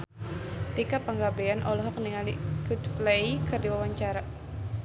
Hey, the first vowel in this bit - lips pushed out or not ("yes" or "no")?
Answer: no